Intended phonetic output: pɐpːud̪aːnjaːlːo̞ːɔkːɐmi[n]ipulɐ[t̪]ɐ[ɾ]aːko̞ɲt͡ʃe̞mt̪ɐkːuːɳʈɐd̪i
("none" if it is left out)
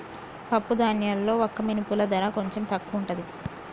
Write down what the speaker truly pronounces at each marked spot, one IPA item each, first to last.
n, d̪, ɾ

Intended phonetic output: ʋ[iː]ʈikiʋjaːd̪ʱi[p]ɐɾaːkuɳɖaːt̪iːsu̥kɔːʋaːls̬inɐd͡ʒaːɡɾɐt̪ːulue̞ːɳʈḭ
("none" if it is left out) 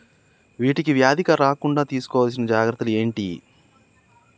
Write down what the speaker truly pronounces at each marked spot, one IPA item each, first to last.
iː, k

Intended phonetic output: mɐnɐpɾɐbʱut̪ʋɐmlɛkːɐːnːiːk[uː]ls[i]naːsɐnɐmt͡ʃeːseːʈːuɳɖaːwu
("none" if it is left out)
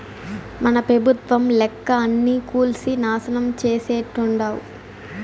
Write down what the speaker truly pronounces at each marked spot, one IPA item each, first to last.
uː, i

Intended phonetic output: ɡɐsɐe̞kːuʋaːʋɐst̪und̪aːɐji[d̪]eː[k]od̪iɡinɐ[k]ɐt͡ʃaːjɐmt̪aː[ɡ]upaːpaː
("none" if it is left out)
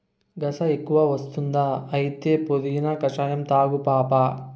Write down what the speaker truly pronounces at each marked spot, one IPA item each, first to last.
t̪, p, k, ɡ

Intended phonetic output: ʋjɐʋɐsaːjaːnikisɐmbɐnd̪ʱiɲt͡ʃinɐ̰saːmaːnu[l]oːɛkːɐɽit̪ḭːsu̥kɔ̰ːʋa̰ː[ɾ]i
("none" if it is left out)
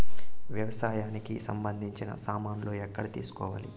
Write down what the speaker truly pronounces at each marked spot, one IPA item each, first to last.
l, l

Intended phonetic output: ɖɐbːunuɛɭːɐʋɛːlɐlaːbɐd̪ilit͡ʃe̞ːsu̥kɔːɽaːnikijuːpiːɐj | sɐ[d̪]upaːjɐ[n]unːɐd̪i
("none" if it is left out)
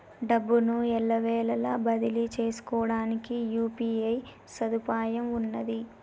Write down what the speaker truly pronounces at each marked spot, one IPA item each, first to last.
d̪, m

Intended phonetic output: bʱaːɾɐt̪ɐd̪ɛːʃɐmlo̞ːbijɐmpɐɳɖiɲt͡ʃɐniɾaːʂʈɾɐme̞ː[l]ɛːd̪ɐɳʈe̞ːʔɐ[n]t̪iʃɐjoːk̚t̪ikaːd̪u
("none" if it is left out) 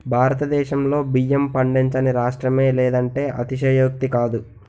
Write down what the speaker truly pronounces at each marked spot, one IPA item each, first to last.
l, none

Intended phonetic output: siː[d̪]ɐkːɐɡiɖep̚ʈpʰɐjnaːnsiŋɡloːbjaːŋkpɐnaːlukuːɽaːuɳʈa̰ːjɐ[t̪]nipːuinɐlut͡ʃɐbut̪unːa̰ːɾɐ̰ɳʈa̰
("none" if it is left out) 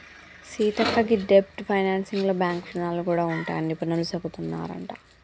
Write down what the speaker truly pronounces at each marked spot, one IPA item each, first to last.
t̪, none

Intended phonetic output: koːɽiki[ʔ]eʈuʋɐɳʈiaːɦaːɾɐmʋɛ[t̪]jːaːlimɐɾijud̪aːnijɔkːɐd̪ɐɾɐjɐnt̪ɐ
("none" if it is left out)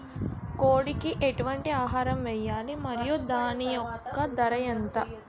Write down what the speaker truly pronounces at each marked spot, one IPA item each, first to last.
ʔ, none

